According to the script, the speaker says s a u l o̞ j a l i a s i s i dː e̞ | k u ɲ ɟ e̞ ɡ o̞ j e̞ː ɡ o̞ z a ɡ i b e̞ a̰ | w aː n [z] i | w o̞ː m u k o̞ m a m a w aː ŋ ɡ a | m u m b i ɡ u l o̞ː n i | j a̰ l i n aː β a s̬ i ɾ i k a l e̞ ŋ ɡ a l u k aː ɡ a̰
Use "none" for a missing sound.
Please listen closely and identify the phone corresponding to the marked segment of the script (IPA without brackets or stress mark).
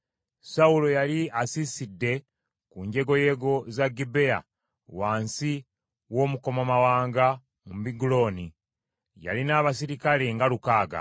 s